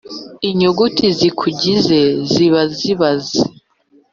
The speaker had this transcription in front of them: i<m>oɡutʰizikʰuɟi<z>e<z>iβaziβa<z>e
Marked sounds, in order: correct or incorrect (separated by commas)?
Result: incorrect, correct, correct, correct